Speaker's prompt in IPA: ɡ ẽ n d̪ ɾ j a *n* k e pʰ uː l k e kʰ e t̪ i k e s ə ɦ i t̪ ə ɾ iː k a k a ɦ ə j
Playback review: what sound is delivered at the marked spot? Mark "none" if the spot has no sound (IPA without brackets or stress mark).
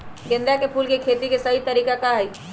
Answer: none